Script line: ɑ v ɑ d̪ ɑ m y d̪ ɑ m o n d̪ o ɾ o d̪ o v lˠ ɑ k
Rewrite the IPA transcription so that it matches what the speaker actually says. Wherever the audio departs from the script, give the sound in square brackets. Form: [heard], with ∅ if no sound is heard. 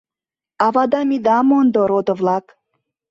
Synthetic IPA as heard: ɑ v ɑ d̪ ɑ m [i] d̪ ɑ m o n d̪ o ɾ o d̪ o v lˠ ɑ k